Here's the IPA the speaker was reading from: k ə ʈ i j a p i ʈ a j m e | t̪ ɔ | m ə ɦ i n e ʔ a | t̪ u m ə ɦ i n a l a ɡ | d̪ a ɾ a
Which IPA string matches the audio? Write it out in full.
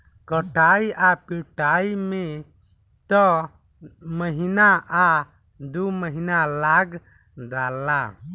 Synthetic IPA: k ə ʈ a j a p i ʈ a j m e | t̪ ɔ | m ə ɦ i n a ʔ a | d̪ u m ə ɦ i n a l a ɡ | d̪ a l a